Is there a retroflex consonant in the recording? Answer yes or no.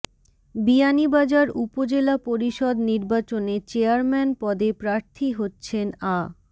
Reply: no